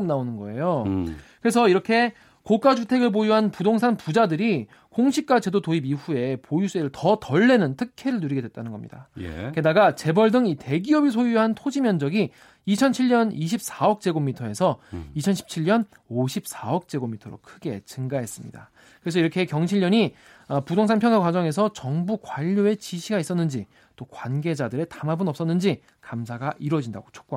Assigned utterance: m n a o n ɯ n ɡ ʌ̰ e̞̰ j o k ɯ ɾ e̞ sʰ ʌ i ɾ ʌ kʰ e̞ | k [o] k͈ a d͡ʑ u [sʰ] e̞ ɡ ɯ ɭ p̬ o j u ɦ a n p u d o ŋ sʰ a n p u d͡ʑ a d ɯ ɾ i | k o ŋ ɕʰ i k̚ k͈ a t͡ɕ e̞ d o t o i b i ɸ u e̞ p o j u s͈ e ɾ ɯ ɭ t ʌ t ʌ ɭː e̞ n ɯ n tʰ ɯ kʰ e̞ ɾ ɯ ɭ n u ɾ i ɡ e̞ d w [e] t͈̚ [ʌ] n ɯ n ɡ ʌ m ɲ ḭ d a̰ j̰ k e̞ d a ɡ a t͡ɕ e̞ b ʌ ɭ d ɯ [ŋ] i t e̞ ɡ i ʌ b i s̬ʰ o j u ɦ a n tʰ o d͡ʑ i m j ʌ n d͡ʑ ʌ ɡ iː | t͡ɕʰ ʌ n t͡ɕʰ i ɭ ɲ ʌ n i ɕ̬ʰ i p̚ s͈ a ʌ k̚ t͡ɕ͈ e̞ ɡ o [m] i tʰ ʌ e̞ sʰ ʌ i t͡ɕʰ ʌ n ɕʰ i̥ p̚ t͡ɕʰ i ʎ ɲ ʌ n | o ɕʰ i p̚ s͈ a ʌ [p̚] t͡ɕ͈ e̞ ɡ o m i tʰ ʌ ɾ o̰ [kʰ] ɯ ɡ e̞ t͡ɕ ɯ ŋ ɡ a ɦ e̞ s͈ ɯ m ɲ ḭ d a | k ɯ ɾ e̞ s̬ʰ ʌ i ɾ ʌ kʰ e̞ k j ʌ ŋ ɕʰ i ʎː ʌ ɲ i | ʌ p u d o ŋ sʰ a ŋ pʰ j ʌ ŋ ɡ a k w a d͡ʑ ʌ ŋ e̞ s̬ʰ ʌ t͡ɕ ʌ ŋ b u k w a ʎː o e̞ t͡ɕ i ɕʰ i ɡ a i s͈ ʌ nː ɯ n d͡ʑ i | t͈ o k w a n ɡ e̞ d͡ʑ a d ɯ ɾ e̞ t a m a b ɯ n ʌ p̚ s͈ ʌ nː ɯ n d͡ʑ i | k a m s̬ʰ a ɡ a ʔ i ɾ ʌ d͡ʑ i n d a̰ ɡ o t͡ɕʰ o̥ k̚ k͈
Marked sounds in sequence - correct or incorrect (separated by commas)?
correct, incorrect, correct, incorrect, correct, correct, incorrect, correct